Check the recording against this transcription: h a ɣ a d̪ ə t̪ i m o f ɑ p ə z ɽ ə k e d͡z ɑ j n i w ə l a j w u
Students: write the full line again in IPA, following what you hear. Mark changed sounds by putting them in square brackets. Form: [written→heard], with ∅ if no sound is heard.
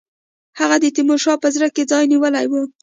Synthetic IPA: h a ɣ a d̪ ə t̪ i m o [f→ʃ] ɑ p ə z [ɽ→ɾ] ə k e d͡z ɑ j n i w ə l a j w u